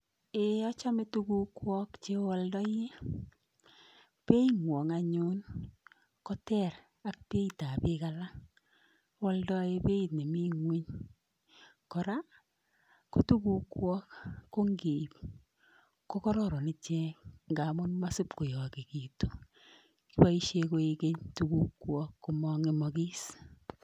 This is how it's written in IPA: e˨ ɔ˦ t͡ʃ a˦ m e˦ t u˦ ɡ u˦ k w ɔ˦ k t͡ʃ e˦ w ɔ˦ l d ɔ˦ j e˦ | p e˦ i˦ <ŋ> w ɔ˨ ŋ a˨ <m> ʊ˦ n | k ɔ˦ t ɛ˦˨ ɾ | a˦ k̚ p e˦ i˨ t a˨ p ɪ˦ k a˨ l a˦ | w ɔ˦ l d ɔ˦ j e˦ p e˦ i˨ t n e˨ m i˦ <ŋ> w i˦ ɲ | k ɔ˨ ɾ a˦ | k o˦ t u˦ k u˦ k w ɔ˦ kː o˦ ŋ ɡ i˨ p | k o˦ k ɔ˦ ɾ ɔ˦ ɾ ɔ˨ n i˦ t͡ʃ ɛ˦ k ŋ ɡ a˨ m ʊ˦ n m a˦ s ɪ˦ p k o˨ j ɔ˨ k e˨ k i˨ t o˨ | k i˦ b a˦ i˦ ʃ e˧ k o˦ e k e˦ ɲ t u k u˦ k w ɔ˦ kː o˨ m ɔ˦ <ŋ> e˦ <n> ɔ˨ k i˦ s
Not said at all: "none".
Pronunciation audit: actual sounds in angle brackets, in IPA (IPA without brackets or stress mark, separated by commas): ŋ, ɲ, ŋ, ŋ, m